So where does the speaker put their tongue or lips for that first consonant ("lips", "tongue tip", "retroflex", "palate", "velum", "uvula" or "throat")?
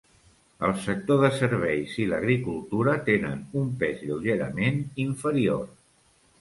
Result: tongue tip